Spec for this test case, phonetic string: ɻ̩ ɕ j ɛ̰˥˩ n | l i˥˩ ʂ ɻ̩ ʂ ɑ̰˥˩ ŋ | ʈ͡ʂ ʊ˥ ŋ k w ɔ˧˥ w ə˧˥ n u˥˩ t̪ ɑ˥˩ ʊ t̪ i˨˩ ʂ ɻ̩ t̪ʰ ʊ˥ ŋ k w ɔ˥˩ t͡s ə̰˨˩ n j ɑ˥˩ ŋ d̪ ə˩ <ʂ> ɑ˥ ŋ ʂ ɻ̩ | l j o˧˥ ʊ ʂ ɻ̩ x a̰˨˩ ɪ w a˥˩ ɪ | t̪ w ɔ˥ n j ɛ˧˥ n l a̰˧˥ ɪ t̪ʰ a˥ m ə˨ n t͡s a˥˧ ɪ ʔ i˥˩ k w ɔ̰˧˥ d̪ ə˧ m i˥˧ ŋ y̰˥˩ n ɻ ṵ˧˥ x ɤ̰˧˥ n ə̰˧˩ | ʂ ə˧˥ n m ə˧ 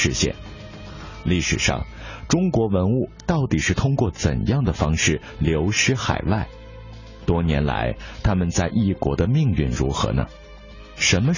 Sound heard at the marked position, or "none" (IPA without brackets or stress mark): f